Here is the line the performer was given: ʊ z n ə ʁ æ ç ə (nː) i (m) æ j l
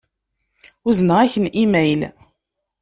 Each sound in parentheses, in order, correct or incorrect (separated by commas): incorrect, correct